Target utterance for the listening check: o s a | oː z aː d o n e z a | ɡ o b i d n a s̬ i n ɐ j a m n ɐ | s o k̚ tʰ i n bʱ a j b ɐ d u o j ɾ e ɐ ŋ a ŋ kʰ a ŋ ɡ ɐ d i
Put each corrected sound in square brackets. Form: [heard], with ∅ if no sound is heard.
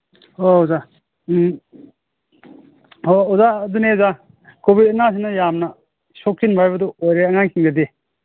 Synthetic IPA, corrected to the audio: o [z] a | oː z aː d [u] n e z a | [k] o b i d n a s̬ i n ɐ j a m n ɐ | s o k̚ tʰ i n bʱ a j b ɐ d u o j ɾ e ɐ ŋ a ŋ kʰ [i] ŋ ɡ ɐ d i